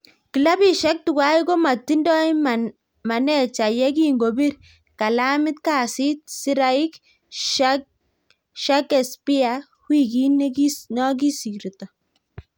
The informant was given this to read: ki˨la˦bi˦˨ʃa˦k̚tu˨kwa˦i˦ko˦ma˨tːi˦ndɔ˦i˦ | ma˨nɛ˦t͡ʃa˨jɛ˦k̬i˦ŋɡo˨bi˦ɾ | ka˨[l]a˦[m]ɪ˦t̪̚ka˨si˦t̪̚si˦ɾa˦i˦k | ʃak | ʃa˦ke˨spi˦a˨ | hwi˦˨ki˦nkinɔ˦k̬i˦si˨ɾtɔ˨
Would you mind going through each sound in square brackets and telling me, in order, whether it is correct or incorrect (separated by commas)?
correct, correct